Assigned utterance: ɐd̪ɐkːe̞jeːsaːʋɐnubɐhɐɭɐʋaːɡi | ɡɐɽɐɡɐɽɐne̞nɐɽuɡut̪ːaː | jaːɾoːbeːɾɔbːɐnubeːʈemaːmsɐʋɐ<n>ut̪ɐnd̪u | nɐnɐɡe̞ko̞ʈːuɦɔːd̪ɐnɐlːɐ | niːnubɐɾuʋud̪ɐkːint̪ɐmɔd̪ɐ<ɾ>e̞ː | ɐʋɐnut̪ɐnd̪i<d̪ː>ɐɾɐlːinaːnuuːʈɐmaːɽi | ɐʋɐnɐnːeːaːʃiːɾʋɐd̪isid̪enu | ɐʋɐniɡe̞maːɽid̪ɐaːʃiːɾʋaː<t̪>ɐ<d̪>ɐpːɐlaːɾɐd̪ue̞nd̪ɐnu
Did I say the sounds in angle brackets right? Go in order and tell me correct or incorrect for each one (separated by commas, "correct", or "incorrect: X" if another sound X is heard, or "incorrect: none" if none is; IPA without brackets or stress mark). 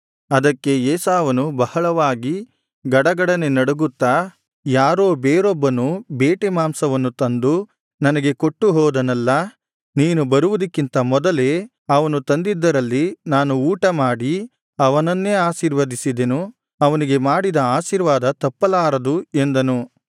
incorrect: nː, incorrect: l, correct, incorrect: d̪, incorrect: t̪